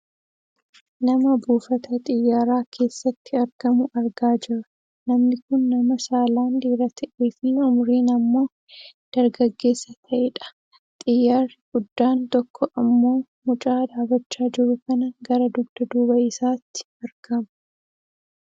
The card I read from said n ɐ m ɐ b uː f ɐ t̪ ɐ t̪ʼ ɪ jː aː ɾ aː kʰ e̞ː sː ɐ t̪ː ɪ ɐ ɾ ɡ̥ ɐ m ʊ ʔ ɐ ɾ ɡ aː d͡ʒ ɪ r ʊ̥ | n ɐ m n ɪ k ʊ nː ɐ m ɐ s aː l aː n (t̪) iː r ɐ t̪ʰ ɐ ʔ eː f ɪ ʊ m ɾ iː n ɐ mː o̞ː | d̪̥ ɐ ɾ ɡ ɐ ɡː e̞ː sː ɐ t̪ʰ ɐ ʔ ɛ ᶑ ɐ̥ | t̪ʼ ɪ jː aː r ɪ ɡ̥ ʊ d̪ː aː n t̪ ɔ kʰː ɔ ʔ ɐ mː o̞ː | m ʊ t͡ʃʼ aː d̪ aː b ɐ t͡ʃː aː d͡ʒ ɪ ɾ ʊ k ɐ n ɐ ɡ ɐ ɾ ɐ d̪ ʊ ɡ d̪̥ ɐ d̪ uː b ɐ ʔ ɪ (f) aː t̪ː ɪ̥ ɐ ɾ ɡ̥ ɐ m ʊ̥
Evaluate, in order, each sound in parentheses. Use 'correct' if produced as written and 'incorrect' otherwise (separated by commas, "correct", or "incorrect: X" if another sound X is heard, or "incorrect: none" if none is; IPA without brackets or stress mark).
incorrect: d̪, incorrect: s